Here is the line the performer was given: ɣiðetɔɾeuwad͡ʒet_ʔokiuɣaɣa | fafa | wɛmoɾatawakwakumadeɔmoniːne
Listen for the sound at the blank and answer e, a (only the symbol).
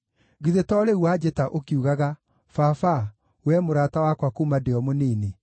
a